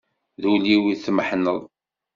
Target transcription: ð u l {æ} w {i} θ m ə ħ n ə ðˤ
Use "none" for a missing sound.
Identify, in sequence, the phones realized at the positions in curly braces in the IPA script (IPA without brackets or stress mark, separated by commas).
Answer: i, i